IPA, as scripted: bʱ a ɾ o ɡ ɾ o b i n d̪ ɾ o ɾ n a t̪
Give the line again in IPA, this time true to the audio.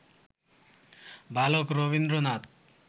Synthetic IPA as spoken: bʱ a l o k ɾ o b i n d̪ ɾ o n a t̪

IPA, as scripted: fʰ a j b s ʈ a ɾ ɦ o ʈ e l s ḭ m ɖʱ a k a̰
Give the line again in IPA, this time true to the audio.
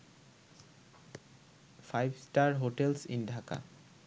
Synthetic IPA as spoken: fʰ a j b s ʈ a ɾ ɦ o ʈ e l s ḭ n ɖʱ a k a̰

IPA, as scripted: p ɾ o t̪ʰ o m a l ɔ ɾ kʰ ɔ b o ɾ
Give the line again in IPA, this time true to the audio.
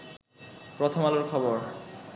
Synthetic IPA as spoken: p ɾ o t̪ʰ o m a l o ɾ kʰ ɔ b o ɾ

